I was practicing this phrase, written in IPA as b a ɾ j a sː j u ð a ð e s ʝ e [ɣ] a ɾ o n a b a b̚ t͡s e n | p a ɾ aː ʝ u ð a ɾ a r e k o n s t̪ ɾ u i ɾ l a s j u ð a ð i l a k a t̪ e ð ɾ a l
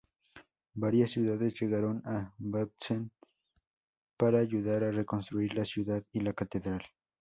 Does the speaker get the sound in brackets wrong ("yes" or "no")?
no